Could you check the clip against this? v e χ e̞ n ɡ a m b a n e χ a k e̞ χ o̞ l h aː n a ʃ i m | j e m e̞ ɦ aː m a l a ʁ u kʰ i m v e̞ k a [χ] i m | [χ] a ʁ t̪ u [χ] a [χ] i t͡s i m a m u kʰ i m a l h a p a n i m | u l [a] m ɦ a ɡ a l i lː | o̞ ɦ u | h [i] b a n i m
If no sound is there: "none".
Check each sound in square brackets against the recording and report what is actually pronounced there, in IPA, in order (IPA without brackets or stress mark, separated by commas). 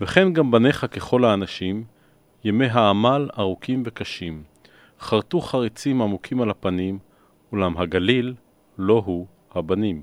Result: ʃ, χ, χ, ʁ, a, a